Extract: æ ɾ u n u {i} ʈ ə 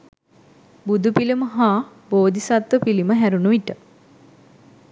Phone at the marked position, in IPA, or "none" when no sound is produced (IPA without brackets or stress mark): i